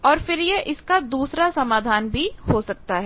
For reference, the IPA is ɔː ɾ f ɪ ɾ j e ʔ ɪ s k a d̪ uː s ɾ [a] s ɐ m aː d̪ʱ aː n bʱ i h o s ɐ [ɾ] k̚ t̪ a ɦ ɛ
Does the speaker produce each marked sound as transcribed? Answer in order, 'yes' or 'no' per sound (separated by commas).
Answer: yes, no